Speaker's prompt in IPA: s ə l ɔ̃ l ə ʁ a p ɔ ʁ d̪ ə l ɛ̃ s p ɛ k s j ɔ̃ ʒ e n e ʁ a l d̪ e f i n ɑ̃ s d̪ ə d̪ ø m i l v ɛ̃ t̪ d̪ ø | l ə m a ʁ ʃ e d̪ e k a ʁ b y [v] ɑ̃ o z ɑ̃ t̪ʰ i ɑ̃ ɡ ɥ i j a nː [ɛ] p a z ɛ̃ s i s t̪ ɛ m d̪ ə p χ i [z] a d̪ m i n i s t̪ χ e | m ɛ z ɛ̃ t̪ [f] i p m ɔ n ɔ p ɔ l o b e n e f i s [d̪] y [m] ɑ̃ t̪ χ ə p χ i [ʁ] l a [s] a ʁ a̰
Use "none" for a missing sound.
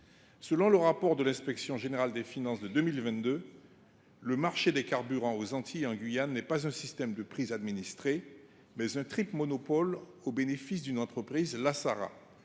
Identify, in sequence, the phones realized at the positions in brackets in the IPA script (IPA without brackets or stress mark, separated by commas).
ʁ, ɛ, z, χ, d̪, n, z, s